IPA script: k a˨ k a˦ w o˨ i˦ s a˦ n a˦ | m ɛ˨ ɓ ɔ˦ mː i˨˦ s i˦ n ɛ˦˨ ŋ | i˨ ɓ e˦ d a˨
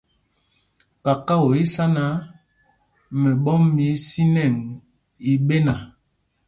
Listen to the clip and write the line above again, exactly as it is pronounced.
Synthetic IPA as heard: k a˨ k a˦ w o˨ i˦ s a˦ n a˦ | m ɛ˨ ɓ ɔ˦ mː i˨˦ s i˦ n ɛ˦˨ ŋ | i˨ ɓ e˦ n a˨